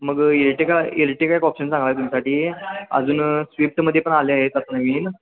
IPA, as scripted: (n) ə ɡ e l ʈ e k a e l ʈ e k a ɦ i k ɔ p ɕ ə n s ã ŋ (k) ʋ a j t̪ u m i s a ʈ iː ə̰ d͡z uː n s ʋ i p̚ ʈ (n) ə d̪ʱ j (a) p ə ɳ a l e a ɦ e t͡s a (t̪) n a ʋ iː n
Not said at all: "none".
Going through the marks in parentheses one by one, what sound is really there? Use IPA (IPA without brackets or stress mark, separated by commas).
m, ɡ, m, e, t̪